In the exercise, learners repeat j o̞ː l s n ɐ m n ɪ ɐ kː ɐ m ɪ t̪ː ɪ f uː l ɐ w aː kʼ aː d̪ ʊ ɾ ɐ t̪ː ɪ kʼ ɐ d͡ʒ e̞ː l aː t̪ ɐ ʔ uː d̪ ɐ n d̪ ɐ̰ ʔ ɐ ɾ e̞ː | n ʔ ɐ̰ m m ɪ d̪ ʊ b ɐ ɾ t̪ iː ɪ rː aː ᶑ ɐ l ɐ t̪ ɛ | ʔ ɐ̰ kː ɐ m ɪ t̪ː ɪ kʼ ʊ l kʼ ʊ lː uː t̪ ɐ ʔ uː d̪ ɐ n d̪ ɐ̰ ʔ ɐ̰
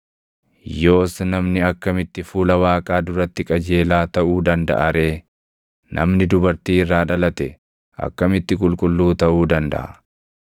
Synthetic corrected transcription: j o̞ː s n ɐ m n ɪ ɐ kː ɐ m ɪ t̪ː ɪ f uː l ɐ w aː kʼ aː d̪ ʊ ɾ ɐ t̪ː ɪ kʼ ɐ d͡ʒ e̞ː l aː t̪ ɐ ʔ uː d̪ ɐ n d̪ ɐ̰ ʔ ɐ ɾ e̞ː | n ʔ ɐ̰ m n ɪ d̪ ʊ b ɐ ɾ t̪ iː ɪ rː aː ᶑ ɐ l ɐ t̪ ɛ | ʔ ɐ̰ kː ɐ m ɪ t̪ː ɪ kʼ ʊ l kʼ ʊ lː uː t̪ ɐ ʔ uː d̪ ɐ n d̪ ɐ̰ ʔ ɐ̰